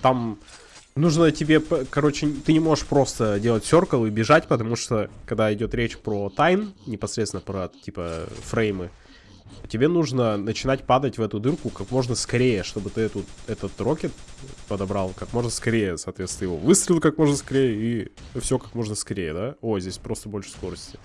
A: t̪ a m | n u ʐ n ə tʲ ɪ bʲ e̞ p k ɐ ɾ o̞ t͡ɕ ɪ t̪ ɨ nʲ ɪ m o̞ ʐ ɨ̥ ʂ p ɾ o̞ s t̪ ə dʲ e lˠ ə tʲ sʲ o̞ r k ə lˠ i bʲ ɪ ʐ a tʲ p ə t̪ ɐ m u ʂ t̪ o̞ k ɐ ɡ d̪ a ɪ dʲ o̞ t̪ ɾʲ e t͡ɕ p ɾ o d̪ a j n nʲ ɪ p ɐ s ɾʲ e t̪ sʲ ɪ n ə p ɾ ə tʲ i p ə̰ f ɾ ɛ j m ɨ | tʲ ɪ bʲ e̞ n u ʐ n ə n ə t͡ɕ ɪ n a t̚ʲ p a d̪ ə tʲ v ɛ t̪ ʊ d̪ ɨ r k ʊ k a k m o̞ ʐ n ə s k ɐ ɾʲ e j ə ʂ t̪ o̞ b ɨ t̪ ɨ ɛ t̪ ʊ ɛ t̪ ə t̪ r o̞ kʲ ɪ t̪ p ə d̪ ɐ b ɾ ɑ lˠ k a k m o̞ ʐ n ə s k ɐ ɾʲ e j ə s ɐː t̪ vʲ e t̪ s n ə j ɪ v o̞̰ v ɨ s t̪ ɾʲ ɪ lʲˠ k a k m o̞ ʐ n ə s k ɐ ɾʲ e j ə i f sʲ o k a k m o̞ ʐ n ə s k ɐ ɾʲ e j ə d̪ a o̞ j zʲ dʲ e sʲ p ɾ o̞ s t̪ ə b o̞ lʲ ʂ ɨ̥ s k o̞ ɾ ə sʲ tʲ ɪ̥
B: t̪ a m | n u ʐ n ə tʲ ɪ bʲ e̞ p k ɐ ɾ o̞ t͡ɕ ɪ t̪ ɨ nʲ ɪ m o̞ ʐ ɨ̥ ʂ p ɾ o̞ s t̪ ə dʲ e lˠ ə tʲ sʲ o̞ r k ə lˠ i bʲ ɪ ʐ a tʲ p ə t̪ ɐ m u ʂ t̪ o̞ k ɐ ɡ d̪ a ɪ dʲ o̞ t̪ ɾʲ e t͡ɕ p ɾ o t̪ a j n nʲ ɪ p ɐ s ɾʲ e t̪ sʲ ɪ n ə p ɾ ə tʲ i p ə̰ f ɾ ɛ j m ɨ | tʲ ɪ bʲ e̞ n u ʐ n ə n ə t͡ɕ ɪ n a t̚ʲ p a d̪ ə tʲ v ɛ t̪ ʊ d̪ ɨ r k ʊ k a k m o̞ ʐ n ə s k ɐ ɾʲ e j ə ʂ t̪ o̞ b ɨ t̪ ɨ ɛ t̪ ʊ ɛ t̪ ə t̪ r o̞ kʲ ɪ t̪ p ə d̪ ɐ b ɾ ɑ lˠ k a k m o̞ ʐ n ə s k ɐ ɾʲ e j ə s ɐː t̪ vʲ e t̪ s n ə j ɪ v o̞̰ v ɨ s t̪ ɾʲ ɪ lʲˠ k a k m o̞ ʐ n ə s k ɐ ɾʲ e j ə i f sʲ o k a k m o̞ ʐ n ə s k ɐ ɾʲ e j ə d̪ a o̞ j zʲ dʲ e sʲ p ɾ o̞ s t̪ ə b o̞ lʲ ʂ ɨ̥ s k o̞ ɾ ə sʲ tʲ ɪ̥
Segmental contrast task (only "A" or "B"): B